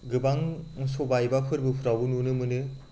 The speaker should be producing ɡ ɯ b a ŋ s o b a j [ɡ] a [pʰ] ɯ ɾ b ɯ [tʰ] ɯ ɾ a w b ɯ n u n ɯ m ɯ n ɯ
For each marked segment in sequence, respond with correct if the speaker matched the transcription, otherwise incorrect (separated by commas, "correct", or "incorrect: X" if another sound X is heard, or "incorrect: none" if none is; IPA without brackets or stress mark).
incorrect: b, correct, incorrect: pʰ